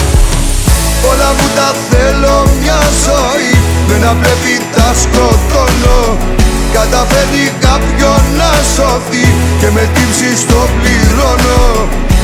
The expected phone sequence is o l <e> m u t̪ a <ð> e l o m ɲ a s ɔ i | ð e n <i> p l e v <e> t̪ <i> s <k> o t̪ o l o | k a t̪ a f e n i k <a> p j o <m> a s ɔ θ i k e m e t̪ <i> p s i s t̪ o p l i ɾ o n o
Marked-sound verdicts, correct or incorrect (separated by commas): incorrect, incorrect, incorrect, incorrect, incorrect, correct, correct, incorrect, correct